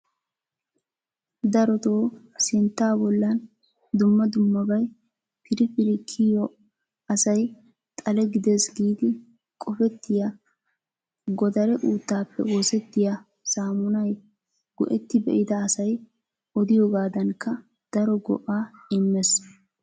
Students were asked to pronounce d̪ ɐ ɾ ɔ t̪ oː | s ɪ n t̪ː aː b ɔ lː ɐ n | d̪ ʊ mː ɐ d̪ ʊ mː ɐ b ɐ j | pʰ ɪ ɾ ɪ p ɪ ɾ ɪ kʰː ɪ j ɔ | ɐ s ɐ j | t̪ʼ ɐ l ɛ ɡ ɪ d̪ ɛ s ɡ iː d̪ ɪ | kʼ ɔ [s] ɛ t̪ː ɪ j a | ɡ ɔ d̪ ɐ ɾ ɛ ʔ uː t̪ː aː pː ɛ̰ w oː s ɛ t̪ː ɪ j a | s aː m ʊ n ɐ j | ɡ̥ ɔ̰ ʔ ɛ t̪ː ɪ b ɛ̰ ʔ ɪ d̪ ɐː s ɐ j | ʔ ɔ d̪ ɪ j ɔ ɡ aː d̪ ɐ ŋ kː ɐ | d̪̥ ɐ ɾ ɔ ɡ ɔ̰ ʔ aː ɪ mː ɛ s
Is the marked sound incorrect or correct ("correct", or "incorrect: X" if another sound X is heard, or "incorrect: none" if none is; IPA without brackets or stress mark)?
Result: incorrect: f